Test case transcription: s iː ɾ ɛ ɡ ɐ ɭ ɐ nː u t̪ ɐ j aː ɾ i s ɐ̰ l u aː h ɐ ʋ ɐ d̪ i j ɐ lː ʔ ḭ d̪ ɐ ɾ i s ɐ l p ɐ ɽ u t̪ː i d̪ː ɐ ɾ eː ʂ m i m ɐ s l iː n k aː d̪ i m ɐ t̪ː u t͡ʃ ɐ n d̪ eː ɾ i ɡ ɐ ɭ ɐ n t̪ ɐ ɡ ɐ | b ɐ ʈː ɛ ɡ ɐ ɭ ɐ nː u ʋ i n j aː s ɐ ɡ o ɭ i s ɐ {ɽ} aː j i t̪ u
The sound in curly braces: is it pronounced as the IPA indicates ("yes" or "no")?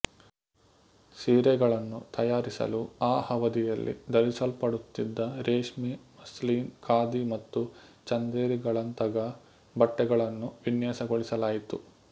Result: no